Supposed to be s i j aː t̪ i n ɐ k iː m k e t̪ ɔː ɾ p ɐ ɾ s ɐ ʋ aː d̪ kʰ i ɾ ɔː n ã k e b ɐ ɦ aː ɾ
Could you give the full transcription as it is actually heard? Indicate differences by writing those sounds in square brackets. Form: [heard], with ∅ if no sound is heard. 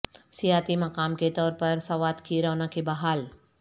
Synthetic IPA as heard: s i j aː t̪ i [m] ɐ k [aː] m k e t̪ ɔː ɾ p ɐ ɾ s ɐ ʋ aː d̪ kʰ i ɾ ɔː n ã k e b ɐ ɦ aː [l]